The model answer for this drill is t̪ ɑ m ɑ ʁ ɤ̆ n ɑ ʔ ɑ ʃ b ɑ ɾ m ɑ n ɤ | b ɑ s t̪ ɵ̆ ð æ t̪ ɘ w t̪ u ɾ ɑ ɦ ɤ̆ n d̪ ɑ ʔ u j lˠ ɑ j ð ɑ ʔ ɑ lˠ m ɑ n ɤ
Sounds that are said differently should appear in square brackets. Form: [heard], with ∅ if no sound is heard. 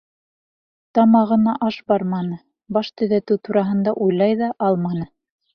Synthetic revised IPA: t̪ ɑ m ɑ ʁ ɤ̆ n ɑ ʔ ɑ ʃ b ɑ ɾ m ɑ n ɤ | b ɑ [ʃ] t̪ ɵ̆ ð æ t̪ ɘ w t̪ u ɾ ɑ ɦ ɤ̆ n d̪ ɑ ʔ u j lˠ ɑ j ð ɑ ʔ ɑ lˠ m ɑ n ɤ